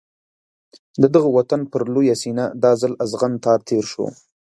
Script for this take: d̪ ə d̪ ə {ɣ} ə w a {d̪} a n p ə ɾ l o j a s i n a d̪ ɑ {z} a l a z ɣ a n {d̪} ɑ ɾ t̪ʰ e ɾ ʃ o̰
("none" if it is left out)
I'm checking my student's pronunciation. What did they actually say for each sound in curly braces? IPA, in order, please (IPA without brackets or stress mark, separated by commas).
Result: ɣ, t̪, z, t̪